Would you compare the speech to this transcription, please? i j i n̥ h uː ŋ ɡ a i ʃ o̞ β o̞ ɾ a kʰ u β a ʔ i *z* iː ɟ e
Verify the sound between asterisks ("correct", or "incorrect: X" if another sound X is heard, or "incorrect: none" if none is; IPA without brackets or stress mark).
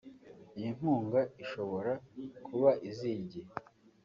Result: correct